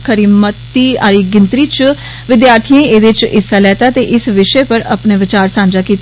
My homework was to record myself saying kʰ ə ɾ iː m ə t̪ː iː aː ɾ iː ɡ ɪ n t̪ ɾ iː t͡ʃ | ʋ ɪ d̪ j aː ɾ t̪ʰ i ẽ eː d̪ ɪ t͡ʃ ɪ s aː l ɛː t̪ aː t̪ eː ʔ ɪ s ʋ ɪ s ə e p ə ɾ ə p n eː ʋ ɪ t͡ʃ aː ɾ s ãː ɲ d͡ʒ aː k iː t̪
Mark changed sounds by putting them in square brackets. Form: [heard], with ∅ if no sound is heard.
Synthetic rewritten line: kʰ ə ɾ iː m ə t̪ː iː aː ɾ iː ɡ ɪ n t̪ ɾ iː t͡ʃ | ʋ ɪ d̪ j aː ɾ t̪ʰ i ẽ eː d̪ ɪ t͡ʃ ɪ s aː l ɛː t̪ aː t̪ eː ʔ ɪ s ʋ ɪ [ʃ] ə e p ə ɾ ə p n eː ʋ ɪ t͡ʃ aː ɾ s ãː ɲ d͡ʒ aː k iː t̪